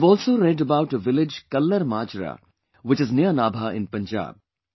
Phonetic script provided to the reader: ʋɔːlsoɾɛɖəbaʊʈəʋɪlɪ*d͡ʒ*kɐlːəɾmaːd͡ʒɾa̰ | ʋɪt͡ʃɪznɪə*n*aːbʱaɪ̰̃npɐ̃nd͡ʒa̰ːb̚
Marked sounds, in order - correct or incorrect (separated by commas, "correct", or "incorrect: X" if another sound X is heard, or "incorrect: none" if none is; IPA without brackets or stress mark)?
correct, correct